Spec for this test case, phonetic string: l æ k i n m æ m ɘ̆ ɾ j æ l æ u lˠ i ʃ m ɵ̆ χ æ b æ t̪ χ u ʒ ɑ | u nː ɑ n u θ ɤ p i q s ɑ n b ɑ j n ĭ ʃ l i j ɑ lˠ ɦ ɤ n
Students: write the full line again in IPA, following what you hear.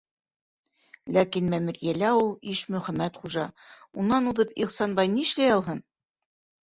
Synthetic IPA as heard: l æ k i n m æ m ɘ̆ ɾ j æ l æ u lˠ i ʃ m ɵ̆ χ æ m æ t̪ χ u ʒ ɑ | u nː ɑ n u ð ɤ p i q s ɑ n b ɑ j n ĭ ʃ l æ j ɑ lˠ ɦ ɤ n